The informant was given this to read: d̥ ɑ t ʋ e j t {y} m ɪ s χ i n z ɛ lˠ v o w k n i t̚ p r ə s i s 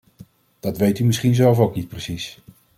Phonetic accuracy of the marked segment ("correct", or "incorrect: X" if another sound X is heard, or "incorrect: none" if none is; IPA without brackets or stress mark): correct